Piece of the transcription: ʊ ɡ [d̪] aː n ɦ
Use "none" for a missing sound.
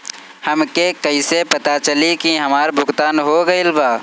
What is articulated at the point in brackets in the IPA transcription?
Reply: t̪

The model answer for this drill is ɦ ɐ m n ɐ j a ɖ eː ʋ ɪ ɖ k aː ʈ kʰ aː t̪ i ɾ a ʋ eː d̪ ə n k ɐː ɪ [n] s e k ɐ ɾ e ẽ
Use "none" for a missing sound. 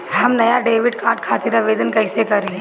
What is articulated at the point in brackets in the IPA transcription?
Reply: none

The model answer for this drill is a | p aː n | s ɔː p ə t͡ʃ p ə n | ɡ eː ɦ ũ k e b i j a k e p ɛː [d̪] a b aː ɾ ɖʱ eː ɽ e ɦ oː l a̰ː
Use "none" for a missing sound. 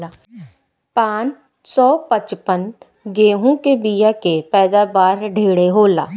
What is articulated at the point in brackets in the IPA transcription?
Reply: d̪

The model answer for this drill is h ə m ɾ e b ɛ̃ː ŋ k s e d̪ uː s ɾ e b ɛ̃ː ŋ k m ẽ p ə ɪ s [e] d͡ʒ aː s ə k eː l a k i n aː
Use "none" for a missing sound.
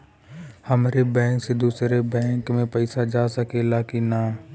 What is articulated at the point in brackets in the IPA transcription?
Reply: a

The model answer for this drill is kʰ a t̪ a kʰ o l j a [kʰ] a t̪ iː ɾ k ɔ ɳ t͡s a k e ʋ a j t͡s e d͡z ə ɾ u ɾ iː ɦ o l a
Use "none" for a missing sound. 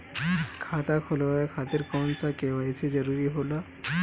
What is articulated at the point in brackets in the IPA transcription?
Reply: kʰ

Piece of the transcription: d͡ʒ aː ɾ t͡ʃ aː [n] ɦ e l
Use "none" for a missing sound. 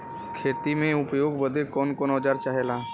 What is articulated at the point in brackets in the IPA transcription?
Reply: none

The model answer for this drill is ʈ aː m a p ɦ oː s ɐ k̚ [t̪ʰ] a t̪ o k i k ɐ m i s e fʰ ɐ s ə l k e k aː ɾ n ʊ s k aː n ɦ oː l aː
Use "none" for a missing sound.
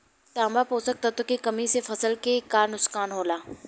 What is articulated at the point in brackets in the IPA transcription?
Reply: t̪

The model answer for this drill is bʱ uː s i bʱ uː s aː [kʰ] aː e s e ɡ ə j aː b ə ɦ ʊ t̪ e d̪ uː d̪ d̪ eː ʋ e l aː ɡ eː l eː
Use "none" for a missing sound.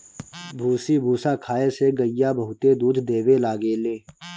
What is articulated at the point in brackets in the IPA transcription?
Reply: kʰ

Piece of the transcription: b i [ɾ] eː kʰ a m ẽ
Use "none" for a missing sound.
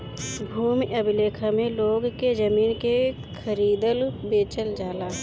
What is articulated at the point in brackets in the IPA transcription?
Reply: l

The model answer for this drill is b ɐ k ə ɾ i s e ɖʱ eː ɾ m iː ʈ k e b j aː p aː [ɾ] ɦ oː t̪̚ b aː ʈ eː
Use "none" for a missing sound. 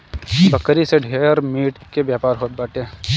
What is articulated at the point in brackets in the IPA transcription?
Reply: ɾ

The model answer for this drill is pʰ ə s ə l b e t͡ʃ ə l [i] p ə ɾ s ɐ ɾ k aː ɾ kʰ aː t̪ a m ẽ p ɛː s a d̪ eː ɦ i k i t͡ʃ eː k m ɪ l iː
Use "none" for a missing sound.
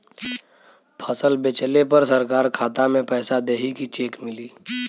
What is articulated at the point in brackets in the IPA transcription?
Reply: e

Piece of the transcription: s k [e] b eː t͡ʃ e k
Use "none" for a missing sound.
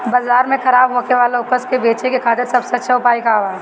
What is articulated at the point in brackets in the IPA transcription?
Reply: e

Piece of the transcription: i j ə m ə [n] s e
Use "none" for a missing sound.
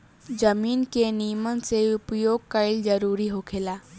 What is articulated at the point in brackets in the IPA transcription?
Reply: n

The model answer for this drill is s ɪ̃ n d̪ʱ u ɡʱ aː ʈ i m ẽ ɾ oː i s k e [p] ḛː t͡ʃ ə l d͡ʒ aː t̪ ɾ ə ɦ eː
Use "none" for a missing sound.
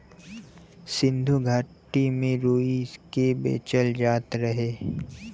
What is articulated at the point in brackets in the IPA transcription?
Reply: b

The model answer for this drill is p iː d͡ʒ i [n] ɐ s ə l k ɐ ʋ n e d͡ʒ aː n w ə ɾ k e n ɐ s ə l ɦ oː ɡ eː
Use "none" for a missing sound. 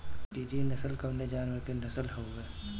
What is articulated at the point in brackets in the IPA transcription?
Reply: n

